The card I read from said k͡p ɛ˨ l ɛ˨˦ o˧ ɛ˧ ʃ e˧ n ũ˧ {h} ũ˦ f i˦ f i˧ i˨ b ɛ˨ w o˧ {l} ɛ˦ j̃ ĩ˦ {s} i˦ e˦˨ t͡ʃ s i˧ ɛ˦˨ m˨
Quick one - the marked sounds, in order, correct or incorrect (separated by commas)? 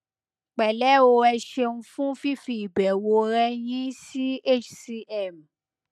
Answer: incorrect, incorrect, correct